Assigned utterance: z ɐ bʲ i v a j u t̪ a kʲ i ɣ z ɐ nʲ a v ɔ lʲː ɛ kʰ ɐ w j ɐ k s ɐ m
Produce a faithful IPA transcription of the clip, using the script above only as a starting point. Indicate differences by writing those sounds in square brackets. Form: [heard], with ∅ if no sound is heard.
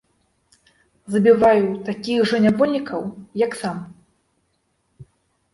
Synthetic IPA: z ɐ bʲ i v a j u t̪ a kʲ i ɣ [ʐ] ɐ nʲ a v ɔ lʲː [i] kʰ ɐ w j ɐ k s [a] m